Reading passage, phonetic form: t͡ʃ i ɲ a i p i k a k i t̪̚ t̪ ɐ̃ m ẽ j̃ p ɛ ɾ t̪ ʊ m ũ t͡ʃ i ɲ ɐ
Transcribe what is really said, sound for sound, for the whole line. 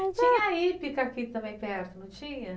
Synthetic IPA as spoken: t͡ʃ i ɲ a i p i k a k i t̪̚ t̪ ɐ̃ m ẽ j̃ p ɛ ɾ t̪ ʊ n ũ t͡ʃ i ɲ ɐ